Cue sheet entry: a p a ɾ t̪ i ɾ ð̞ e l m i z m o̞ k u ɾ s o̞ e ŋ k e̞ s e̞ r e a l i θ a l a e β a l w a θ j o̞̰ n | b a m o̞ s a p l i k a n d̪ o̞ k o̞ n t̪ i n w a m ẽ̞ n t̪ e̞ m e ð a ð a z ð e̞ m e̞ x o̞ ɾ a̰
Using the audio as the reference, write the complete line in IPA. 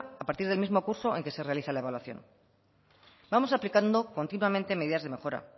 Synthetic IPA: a p a ɾ t̪ i ɾ ð̞ e l m i z m o̞ k u ɾ s o̞ e ŋ k e̞ s e̞ r e a l i θ a l a e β a l w a θ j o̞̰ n | b a m o̞ s a p l i k a n d̪ o̞ k o̞ n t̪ i n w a m ẽ̞ n t̪ e̞ m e ð i ð a z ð e̞ m e̞ x o̞ ɾ a̰